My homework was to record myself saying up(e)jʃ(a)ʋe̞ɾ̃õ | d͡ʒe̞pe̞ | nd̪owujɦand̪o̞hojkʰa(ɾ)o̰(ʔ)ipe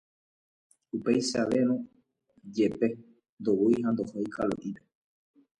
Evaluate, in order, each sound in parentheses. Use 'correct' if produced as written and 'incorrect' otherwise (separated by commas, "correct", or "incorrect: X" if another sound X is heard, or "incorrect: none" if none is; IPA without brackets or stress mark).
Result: correct, correct, incorrect: l, correct